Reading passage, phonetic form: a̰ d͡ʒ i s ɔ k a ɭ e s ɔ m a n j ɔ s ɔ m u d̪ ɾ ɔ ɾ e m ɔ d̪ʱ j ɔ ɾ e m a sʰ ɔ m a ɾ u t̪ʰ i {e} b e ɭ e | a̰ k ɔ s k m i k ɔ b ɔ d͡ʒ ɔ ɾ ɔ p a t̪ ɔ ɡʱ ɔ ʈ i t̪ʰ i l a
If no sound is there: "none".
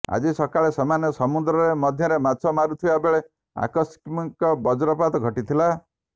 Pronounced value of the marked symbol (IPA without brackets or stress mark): a